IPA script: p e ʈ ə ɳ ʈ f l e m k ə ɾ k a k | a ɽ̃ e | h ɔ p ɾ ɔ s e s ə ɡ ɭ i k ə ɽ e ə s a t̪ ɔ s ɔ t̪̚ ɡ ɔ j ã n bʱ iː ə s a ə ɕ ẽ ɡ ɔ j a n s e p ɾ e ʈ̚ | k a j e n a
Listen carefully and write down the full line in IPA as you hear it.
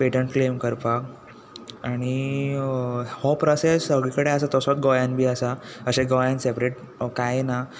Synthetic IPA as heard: p e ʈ ə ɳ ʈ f l e m k ə ɾ p a k | a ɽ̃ i | h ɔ p ɾ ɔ s e s ə ɡ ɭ i k ə ɽ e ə s a t̪ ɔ s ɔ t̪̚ ɡ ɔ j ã n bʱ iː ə s a ə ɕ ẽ ɡ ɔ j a n s e p ɾ e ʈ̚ | k a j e n a